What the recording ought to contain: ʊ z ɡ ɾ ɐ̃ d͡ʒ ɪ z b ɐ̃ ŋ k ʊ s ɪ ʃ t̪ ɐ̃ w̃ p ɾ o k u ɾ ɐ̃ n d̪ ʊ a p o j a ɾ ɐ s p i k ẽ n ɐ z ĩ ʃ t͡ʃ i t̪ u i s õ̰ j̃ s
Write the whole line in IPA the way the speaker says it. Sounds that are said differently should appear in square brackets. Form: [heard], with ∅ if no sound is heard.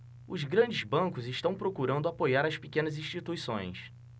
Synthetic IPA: ʊ z ɡ ɾ ɐ̃ d͡ʒ ɪ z b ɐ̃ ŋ k ʊ [z] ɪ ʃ t̪ ɐ̃ w̃ p ɾ o k u ɾ ɐ̃ n d̪ ʊ a p o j a ɾ ɐ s p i k ẽ n ɐ z ĩ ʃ t͡ʃ i t̪ u i s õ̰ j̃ s

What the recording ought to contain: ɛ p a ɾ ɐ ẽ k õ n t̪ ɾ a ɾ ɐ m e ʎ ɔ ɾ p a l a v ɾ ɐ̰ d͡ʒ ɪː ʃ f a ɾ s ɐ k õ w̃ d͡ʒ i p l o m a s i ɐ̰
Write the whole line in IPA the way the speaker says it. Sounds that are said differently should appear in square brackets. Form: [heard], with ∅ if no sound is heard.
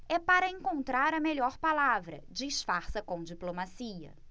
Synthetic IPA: ɛ p a ɾ ɐ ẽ k õ n t̪ ɾ a ɾ ɐ m e ʎ ɔ ɾ p a l a v ɾ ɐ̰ d͡ʒ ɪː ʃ f a ɾ s ɐ k õ w̃ d͡ʒ i p l o m a s i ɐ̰

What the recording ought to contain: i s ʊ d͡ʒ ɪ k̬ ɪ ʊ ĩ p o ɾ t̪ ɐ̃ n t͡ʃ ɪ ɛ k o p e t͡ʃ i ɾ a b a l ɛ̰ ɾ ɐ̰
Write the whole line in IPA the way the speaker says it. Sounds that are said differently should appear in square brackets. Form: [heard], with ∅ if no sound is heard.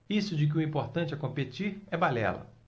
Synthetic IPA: i s ʊ d͡ʒ ɪ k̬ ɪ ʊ ĩ p o ɾ t̪ ɐ̃ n t͡ʃ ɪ ɛ k [õ] p e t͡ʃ i ɾ [ɛ] b a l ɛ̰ [l] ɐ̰

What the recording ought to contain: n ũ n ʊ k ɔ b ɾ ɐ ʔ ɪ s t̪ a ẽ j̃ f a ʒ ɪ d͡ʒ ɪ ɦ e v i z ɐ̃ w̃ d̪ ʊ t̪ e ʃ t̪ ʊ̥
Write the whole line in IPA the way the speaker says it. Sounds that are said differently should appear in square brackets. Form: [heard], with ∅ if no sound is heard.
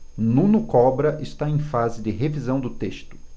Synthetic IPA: n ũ n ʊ k ɔ b ɾ ɐ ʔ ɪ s t̪ a ẽ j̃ f a [z] ɪ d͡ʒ ɪ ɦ e v i z ɐ̃ w̃ d̪ ʊ t̪ e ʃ t̪ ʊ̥

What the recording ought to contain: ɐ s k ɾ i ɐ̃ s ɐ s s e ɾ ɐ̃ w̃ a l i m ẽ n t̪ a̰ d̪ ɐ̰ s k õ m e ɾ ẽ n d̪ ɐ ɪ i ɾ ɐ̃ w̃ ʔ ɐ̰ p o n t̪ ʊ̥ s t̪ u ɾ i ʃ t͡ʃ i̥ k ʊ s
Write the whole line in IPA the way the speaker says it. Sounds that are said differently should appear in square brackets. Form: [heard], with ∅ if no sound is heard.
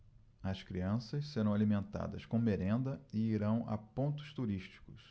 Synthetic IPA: ɐ s k ɾ i ɐ̃ s ɐ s s e ɾ ɐ̃ w̃ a l i m ẽ n t̪ a̰ d̪ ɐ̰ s k õ m e ɾ ẽ n d̪ ɐ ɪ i ɾ ɐ̃ w̃ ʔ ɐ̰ p [õ] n t̪ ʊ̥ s t̪ u ɾ i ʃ t͡ʃ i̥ k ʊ s

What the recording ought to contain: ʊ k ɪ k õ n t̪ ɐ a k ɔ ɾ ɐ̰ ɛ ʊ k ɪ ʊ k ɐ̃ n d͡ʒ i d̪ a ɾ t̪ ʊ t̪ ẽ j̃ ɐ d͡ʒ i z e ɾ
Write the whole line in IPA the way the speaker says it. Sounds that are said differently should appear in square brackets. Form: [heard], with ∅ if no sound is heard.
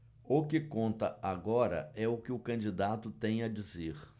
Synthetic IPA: ʊ k ɪ k õ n t̪ ɐ a [ɡ] ɔ ɾ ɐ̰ ɛ ʊ k ɪ ʊ k ɐ̃ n d͡ʒ i d̪ a [∅] t̪ ʊ t̪ ẽ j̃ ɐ d͡ʒ i z e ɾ

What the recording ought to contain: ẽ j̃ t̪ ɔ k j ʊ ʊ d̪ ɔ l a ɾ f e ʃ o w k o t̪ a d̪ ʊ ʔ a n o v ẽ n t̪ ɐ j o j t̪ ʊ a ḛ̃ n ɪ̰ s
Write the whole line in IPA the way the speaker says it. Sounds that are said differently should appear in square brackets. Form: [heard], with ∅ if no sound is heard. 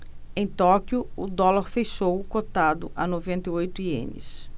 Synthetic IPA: ẽ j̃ t̪ ɔ k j ʊ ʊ d̪ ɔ l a ɾ f e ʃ o w k o t̪ a d̪ ʊ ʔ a n o v ẽ n t̪ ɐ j o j t̪ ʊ [i] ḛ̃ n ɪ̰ s

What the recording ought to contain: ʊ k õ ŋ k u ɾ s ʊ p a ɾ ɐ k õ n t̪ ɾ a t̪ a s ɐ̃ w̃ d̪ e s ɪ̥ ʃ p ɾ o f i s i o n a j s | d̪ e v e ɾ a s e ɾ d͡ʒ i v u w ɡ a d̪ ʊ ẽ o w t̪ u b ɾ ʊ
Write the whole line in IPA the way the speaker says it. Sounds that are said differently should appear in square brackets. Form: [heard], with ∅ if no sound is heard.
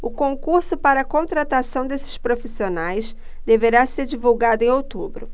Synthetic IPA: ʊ k õ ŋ k u ɾ s ʊ p a ɾ ɐ k õ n t̪ ɾ a t̪ a s ɐ̃ w̃ d̪ e s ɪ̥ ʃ p ɾ o f i s i o n a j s | d̪ e v e ɾ a s e ɾ d͡ʒ i v u w ɡ a d̪ ʊ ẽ o w t̪ u b ɾ ʊ

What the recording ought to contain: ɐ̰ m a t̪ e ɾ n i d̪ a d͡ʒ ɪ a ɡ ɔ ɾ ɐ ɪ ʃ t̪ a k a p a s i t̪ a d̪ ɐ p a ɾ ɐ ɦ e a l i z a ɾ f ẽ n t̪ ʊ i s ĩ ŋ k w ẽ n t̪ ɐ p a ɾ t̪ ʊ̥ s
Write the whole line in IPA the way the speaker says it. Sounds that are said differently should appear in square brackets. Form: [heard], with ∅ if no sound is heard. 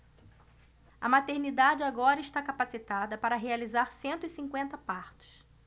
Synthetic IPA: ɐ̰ m a t̪ e ɾ n i d̪ a d͡ʒ ɪ a ɡ ɔ ɾ ɐ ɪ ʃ t̪ a k a p a s i t̪ a d̪ ɐ p a ɾ ɐ ɦ e a l i z a ɾ [s] ẽ n t̪ ʊ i s ĩ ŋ k w ẽ n t̪ ɐ p a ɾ t̪ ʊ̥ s

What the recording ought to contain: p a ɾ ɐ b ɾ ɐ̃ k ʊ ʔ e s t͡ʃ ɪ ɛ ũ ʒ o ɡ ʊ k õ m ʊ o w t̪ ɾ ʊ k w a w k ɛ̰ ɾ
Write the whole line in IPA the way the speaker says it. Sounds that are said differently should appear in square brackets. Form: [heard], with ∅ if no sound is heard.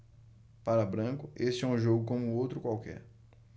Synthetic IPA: p a ɾ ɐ b ɾ ɐ̃ k ʊ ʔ e s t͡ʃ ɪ ɛ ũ ʒ o ɡ ʊ k õ m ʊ o w t̪ ɾ ʊ k w a w k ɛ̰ ɾ

